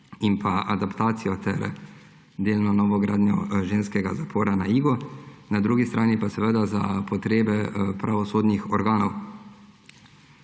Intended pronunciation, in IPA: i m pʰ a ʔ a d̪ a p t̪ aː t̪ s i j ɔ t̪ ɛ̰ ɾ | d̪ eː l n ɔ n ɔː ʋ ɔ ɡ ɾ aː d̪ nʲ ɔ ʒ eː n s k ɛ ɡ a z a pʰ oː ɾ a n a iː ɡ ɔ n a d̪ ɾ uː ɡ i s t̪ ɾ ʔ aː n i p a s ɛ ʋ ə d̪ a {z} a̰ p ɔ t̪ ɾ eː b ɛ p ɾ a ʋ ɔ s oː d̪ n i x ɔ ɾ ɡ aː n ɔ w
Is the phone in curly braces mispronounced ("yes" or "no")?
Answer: no